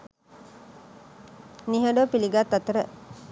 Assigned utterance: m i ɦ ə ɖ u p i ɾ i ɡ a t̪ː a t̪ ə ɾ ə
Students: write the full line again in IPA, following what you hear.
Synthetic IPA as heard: n i ɦ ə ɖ o p i l i ɡ a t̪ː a t̪ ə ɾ ə